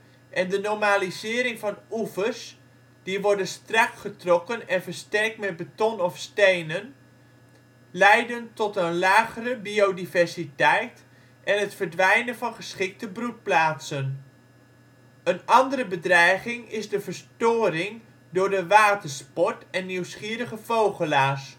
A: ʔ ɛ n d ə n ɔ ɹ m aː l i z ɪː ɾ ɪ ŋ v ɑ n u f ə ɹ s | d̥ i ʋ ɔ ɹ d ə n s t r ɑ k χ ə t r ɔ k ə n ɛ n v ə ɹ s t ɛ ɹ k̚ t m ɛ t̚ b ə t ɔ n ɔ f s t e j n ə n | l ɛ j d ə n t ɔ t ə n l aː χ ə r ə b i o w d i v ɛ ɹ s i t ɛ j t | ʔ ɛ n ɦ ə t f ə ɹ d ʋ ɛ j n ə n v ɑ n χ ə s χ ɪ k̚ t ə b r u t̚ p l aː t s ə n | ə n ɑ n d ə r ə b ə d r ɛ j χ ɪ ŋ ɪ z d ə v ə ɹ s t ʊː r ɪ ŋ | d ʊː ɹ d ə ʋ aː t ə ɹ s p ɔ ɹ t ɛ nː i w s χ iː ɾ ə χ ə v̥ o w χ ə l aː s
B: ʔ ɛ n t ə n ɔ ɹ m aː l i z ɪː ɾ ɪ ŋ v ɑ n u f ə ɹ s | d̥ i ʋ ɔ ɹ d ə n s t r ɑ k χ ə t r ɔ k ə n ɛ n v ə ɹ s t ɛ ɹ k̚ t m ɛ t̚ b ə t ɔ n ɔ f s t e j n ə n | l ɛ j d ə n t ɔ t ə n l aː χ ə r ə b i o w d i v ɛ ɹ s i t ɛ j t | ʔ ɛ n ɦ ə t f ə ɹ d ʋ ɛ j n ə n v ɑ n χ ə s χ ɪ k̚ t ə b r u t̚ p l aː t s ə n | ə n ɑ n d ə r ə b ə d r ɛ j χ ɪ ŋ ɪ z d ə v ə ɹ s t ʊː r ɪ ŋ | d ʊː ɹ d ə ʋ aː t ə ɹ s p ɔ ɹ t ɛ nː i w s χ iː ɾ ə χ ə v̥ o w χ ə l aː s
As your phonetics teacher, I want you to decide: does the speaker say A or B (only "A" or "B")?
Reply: A